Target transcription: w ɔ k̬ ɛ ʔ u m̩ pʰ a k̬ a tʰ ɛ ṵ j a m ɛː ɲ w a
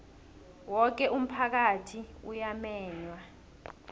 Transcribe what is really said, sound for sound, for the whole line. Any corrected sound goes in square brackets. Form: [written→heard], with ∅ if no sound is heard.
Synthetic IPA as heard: w ɔ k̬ ɛ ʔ u m̩ pʰ a k̬ a tʰ [ɛ→i] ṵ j a m ɛː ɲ w a